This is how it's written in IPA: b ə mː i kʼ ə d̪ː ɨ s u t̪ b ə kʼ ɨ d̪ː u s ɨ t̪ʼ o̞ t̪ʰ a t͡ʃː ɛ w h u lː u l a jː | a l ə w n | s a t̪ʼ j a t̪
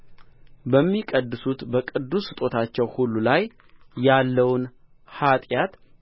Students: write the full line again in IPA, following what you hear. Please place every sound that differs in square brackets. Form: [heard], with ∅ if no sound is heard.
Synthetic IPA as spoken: b ə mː i kʼ ə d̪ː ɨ s u t̪ b ə kʼ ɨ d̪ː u s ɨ t̪ʼ o̞ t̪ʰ a t͡ʃː ɛ w h u lː u l a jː | a [lː] ə w n | [h] a t̪ʼ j a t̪